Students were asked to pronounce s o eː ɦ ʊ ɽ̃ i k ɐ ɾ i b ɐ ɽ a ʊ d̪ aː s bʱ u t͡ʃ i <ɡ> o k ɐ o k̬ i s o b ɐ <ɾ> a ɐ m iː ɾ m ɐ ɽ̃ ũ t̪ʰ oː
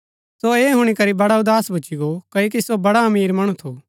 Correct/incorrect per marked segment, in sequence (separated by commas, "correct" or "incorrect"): correct, incorrect